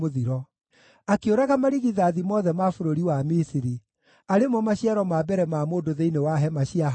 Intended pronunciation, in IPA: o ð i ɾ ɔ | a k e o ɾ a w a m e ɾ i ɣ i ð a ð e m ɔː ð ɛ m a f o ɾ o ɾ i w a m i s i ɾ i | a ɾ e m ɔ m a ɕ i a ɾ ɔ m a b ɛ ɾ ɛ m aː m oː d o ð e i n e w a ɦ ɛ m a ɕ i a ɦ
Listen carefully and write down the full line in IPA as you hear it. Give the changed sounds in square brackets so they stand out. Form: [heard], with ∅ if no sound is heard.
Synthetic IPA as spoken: o ð i ɾ ɔ | a k e o ɾ a [ɣ] a m [a] ɾ i ɣ i ð a ð [i] m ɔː ð ɛ m a f o ɾ o ɾ i w a m i s i ɾ i | a ɾ e m ɔ m a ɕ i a ɾ ɔ m a b ɛ ɾ ɛ m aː m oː d o ð e i n e w a ɦ ɛ m a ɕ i a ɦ